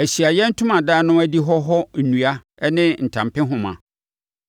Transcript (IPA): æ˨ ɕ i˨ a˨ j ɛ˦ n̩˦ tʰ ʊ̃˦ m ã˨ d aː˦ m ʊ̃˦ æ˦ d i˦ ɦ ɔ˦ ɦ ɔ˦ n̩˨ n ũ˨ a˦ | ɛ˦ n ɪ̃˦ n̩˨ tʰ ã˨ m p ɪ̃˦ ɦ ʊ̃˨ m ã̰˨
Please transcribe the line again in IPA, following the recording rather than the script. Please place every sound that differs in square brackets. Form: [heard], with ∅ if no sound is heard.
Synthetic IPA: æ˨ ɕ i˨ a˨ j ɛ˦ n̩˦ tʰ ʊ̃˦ m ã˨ d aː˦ [n] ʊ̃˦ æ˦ d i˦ ɦ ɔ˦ ɦ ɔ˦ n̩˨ n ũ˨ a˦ | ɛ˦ n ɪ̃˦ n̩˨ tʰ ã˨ m p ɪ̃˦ ɦ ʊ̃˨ m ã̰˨